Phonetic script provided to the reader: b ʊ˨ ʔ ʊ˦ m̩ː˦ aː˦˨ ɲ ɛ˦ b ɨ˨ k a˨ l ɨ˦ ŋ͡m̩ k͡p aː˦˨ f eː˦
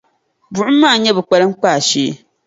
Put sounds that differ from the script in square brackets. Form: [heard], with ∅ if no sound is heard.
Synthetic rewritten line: b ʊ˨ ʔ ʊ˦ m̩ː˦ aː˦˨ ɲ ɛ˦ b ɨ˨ [k͡p] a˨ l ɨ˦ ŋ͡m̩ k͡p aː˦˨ [ʃ] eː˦